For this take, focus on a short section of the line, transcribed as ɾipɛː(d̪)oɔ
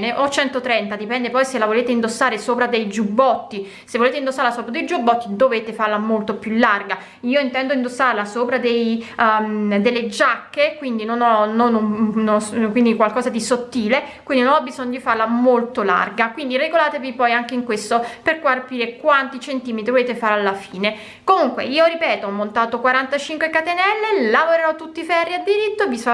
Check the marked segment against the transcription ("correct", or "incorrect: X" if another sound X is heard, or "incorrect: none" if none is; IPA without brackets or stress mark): incorrect: t̪